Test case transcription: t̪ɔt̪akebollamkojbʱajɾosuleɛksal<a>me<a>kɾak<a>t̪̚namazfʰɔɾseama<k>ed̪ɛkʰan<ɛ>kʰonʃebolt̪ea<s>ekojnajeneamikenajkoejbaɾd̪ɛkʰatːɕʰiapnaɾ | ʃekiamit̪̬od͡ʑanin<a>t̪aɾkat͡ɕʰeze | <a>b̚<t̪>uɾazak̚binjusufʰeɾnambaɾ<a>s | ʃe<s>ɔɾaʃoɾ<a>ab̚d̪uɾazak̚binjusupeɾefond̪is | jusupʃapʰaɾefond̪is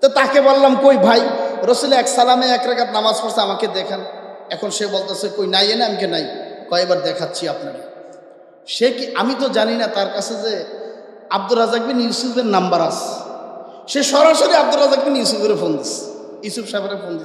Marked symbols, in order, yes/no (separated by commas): yes, no, yes, yes, yes, yes, yes, yes, no, yes, no, no